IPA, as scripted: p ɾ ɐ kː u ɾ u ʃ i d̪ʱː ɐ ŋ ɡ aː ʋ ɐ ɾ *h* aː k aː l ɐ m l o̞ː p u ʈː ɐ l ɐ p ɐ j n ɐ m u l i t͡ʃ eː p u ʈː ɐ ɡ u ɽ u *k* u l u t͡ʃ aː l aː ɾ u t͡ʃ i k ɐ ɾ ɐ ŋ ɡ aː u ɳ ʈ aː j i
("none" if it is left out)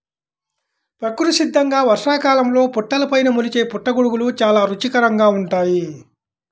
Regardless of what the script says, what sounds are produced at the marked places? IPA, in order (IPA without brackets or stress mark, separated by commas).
ʂ, ɡ